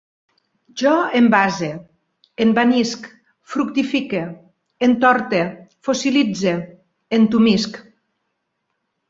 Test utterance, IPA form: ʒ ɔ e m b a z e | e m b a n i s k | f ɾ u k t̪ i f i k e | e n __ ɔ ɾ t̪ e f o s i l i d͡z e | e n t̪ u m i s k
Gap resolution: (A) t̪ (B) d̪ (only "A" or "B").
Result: A